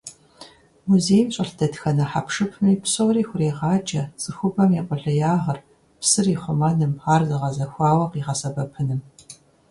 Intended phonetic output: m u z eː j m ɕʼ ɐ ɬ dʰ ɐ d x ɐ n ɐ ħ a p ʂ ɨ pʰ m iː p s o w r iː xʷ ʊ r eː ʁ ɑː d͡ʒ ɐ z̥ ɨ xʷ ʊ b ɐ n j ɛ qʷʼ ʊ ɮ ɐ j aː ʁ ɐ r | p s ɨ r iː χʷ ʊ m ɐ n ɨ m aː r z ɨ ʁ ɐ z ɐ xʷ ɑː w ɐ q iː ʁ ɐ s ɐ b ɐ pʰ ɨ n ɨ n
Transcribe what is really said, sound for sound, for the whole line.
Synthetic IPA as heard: m u z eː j m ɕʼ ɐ ɬ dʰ ɐ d x ɐ n ɐ ħ a p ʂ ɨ pʰ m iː p s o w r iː xʷ ʊ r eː ʁ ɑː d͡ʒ ɐ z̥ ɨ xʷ ʊ b ɐ m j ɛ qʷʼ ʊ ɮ ɐ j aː ʁ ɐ r | p s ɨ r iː χʷ ʊ m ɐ n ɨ m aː r z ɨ ʁ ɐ z ɐ xʷ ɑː w ɐ q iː ʁ ɐ s ɐ b ɐ pʰ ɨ n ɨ m